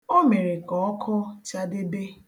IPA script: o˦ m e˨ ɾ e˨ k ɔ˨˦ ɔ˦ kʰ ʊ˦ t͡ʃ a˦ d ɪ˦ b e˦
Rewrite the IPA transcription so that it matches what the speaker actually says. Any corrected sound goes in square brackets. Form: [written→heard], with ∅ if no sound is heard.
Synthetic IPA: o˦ m e˨ ɾ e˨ k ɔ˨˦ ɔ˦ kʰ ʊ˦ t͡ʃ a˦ d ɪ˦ b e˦